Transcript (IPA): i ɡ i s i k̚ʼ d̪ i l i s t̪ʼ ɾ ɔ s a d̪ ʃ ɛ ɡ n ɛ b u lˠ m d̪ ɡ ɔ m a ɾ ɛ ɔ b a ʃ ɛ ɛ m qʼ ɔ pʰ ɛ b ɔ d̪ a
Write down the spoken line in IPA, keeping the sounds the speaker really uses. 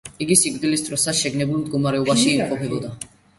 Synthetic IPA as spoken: i ɡ i s i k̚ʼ d̪ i l i s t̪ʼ ɾ ɔ s a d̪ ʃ ɛ ɡ n ɛ b u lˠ m d̪ ɡ ɔ m a ɾ ɛ ɔ b a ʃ i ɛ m qʼ ɔ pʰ ɛ b ɔ d̪ a